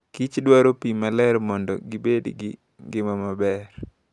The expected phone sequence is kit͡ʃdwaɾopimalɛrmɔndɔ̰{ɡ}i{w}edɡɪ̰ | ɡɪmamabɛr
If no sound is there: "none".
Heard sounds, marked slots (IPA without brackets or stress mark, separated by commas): ɡ, b